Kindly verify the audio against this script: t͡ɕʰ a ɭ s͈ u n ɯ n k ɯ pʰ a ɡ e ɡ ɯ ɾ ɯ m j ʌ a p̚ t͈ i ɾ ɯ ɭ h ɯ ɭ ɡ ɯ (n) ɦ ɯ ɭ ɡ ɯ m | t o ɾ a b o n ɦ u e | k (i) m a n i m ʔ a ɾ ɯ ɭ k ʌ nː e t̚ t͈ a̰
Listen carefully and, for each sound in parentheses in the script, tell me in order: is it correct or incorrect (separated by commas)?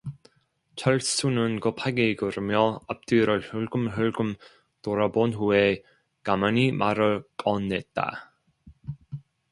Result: incorrect, incorrect